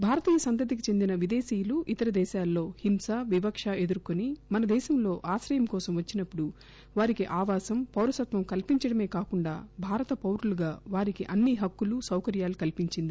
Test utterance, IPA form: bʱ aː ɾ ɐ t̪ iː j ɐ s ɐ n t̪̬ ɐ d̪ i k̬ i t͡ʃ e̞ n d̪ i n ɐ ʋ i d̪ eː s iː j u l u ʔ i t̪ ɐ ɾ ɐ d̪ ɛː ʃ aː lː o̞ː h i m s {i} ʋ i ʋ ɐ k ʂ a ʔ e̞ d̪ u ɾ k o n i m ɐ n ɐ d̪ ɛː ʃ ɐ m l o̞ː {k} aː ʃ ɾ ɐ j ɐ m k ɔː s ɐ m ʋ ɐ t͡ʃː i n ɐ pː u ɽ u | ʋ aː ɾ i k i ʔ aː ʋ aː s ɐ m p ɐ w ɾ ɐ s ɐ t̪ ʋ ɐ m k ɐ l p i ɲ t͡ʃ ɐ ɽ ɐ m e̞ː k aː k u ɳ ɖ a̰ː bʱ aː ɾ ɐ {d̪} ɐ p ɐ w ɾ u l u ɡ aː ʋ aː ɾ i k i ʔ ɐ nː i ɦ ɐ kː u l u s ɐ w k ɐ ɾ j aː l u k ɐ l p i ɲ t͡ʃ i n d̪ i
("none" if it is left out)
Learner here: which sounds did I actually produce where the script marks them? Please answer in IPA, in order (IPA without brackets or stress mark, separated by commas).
a, ʔ, t̪